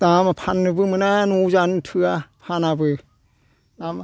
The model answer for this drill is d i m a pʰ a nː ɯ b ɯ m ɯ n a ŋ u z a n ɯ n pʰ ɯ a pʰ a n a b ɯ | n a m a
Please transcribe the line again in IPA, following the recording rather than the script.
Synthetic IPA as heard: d a m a pʰ a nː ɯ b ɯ m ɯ n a n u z a n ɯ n tʰ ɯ a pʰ a n a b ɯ | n a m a